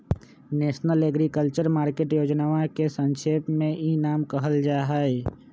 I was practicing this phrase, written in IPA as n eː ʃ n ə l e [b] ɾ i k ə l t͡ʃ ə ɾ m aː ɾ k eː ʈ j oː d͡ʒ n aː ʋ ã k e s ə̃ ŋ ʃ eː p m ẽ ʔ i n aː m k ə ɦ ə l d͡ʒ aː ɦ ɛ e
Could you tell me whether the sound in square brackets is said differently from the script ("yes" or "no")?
yes